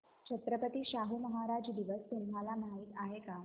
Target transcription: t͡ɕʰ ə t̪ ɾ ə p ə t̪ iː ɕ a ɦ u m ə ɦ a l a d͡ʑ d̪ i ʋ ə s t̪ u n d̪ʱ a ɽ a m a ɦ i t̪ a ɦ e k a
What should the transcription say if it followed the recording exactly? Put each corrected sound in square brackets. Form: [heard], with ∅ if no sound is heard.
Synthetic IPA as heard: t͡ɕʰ ə t̪ ɾ ə p ə t̪ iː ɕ a ɦ u m ə ɦ a [ɾ] a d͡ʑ d̪ i ʋ ə s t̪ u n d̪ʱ a [l] a m a ɦ i t̪ a ɦ e k a